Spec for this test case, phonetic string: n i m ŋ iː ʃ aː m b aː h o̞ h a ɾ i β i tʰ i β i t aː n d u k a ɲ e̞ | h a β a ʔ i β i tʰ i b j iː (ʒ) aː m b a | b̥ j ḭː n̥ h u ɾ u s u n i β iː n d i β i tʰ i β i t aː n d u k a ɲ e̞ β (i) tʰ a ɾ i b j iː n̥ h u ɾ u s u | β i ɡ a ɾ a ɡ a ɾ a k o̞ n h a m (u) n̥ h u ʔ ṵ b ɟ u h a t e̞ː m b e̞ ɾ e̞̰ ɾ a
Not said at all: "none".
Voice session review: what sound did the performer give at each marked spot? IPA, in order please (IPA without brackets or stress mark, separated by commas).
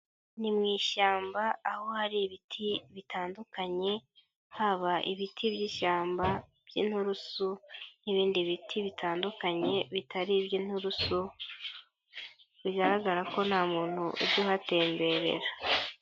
ʃ, i, uː